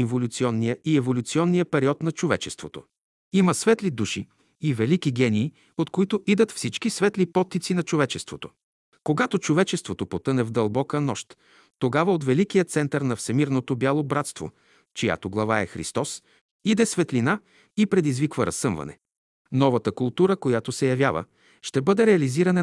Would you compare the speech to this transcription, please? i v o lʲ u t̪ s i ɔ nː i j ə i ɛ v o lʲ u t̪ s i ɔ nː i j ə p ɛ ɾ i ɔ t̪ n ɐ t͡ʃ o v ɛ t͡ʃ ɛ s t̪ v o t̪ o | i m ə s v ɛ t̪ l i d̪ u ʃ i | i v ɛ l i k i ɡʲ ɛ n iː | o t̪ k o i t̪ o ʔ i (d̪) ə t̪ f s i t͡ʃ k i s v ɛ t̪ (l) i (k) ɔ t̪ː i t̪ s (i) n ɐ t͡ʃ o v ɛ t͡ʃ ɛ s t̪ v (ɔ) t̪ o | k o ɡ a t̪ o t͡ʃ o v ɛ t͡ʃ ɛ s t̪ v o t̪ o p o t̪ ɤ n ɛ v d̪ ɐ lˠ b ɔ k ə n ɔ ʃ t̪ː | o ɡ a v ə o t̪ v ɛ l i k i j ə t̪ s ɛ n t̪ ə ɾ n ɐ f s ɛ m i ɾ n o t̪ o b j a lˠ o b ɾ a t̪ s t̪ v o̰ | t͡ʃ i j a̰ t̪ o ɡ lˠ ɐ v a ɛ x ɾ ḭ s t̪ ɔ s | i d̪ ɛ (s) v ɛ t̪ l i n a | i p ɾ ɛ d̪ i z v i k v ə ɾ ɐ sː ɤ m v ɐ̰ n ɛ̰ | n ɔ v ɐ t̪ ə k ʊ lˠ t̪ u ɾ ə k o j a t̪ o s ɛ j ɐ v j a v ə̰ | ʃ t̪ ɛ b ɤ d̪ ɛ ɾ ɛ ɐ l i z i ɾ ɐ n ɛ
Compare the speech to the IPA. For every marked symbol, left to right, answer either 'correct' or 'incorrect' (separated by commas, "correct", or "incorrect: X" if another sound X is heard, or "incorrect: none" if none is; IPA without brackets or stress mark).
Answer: correct, correct, incorrect: p, correct, incorrect: o, correct